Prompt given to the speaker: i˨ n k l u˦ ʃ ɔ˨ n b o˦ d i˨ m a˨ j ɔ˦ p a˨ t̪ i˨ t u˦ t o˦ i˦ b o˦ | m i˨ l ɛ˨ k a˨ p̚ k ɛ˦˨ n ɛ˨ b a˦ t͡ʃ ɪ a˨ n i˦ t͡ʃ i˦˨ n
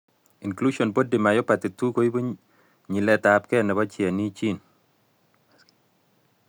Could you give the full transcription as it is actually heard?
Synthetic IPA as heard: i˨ n k l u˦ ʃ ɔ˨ n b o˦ d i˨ m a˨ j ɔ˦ p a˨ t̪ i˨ t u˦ k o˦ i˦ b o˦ | ɲ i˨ l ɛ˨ t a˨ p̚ k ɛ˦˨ n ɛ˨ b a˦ t͡ʃ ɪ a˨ n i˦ t͡ʃ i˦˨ n